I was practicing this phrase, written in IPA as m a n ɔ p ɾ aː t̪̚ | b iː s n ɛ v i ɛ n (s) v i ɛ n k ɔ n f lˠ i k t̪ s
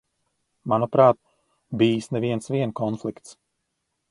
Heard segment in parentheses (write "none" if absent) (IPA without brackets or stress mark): s